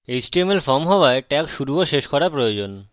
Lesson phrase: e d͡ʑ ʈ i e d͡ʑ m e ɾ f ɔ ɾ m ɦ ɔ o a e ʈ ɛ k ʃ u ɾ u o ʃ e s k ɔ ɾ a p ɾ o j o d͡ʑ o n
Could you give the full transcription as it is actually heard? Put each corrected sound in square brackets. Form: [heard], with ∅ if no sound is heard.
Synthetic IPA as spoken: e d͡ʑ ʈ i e [∅] m e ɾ f ɔ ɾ m ɦ ɔ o a e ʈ ɛ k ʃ u ɾ u o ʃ e [ʃ] k ɔ ɾ a p ɾ o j o d͡ʑ o n